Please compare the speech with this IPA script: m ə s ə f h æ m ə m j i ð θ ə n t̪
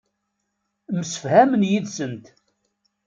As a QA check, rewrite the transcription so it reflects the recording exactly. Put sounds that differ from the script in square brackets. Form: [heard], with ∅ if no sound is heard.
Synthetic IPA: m ə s ə f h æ m ə [n] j i ð [s] ə n t̪